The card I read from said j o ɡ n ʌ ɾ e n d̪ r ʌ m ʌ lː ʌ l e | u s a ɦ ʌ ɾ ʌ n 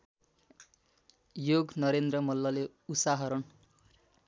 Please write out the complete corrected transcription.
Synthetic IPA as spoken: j o ɡ n ʌ ɾ e n d̪ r ʌ m ʌ lː ʌ l e | u s a ɦ ʌ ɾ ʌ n